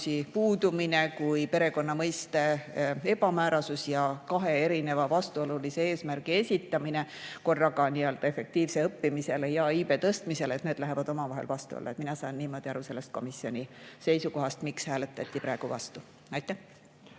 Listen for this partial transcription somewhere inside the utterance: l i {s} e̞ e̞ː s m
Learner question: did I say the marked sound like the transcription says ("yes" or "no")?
yes